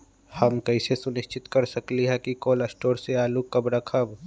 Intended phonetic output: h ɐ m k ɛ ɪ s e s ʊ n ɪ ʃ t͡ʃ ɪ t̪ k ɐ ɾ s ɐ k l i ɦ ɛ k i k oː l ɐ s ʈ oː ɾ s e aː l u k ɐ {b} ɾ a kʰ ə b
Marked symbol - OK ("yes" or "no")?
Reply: yes